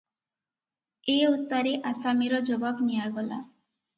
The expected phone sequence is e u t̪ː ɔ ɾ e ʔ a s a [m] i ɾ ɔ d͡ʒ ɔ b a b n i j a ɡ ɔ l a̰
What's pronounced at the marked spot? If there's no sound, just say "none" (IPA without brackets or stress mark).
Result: m